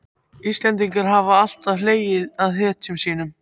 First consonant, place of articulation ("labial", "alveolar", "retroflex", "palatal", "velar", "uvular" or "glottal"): alveolar